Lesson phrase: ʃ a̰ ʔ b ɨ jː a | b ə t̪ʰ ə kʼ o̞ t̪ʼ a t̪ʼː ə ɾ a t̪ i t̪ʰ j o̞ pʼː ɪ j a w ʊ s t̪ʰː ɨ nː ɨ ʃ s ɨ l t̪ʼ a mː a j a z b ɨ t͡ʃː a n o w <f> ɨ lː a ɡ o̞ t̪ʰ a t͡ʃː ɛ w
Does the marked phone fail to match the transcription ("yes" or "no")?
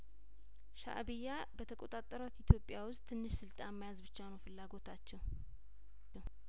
no